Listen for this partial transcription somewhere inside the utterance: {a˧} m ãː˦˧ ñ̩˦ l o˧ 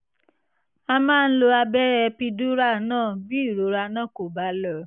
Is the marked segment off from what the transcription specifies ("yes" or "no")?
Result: no